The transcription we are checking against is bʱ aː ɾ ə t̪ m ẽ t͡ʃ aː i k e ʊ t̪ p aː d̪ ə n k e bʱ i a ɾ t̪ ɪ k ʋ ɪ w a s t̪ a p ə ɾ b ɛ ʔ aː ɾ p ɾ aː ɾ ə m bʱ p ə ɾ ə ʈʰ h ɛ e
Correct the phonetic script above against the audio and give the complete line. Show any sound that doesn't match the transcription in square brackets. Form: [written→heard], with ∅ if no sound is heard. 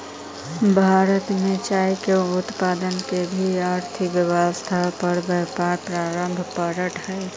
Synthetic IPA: bʱ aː ɾ ə t̪ m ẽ t͡ʃ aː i k e ʊ t̪ p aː d̪ ə n k e bʱ i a ɾ [t̪→t̪ʰ] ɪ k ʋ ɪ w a s [t̪→t̪ʰ] a p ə ɾ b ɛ [ʔ→p] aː ɾ p ɾ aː ɾ ə m bʱ p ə ɾ ə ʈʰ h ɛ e